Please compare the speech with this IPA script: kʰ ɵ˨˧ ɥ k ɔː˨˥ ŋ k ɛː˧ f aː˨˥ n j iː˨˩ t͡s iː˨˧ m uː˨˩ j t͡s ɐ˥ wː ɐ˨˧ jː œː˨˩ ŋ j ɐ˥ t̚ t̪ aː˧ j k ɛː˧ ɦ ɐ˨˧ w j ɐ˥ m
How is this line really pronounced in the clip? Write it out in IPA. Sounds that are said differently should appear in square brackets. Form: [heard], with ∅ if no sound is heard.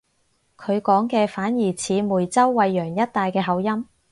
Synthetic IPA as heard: kʰ ɵ˨˧ ɥ k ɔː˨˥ ŋ k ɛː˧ f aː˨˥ n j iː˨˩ [t͡sʰ] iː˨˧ m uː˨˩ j t͡s ɐ˥ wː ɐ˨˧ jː œː˨˩ ŋ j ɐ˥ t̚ t̪ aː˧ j k ɛː˧ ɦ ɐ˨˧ w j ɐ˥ m